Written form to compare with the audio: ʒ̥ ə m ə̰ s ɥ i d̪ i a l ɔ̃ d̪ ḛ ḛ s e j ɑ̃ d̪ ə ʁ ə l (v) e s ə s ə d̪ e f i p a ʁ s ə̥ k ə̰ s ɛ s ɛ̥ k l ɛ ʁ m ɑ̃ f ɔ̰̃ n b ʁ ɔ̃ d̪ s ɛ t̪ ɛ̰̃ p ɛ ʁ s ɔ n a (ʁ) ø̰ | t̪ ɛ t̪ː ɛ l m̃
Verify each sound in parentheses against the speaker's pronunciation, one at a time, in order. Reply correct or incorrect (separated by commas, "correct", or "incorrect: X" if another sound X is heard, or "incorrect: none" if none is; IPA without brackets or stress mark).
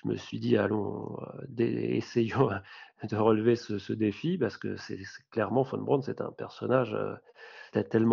correct, incorrect: ʒ